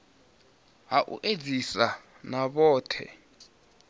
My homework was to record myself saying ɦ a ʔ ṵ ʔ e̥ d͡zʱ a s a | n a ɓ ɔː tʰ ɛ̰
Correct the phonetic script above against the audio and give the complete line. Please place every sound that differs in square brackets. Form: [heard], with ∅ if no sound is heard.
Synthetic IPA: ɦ a ʔ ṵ ʔ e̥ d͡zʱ [i] s a | n a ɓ ɔː tʰ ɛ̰